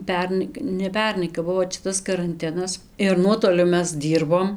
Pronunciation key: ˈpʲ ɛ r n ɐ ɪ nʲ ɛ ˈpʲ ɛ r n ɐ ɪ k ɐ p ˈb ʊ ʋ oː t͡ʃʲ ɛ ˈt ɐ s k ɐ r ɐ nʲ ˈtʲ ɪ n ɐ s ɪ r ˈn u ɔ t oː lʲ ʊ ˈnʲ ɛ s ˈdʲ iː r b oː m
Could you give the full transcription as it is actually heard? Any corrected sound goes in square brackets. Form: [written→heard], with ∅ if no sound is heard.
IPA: ˈpʲ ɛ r n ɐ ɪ nʲ ɛ ˈpʲ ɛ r n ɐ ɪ k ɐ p ˈb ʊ ʋ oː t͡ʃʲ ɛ ˈt ɐ s k ɐ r ɐ nʲ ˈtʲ ɪ n ɐ s ɪ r ˈn u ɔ t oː lʲ ʊ [ˈnʲ→ˈmʲ] ɛ s ˈdʲ iː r b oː m